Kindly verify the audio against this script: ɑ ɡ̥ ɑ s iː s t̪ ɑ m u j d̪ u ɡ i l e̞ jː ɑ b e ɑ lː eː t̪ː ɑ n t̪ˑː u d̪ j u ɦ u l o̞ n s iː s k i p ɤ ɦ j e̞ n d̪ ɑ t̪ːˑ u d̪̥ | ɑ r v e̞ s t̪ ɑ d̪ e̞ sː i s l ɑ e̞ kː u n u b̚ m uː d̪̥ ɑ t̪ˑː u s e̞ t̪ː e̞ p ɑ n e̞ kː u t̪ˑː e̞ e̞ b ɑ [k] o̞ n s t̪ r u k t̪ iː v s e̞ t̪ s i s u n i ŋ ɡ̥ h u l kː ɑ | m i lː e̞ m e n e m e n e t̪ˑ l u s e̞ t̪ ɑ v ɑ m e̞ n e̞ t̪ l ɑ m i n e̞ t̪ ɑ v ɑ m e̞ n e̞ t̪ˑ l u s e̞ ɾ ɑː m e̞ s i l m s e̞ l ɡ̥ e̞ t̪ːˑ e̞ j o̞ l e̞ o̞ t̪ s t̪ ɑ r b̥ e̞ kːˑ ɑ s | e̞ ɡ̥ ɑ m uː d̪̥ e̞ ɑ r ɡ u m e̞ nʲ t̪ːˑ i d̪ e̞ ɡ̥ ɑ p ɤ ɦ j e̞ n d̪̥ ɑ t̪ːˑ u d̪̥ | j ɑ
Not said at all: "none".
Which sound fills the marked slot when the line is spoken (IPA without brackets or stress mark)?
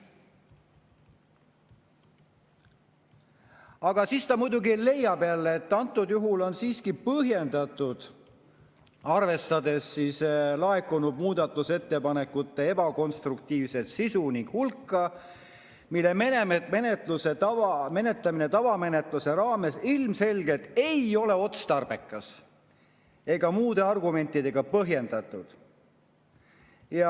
k